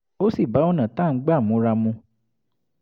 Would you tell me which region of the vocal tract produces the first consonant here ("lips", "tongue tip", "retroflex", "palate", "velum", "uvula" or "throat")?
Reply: tongue tip